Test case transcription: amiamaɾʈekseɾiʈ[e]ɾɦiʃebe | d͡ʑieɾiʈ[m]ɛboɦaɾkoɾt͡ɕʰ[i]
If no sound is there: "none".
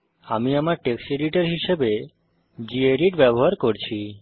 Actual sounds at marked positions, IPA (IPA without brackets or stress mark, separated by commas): e, b, i